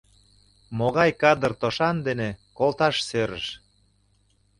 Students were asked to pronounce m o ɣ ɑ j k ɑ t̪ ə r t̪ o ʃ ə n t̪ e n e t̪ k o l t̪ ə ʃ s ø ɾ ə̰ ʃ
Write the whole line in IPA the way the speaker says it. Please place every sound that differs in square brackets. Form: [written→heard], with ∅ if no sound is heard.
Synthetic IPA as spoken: m o ɣ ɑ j k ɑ [t̪→d̪] ə r t̪ o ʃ [ə→ɑ] n [t̪→d̪] e n e [t̪→∅] k o l t̪ [ə→ɑ] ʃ s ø ɾ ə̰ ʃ